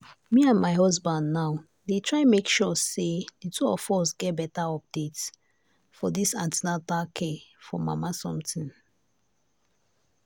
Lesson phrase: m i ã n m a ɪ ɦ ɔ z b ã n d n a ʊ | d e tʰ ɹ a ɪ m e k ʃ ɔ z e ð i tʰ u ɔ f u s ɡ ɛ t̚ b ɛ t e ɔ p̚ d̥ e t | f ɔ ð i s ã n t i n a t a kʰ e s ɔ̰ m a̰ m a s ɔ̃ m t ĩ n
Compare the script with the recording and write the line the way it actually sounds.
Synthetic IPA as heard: m i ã n m a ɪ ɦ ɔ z b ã n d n a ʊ | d e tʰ ɹ a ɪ m e k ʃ ɔ s e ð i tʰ u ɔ f ɔ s ɡ ɛ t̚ b ɛ t a ɔ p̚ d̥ e t | f ɔ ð i s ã n t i n a t a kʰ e f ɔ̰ m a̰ m a s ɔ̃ m t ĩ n